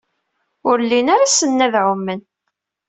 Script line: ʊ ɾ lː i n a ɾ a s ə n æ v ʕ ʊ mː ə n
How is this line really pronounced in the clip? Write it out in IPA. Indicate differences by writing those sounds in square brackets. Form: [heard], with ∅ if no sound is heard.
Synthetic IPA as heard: ʊ ɾ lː i n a ɾ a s ə [nː] æ [ð] ʕ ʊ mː ə n